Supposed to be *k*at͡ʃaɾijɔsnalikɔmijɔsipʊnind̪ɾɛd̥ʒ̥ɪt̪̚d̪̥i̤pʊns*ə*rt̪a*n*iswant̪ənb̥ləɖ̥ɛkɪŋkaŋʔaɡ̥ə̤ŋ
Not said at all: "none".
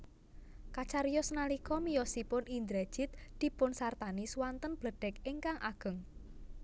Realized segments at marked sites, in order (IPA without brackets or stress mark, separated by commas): k, a, n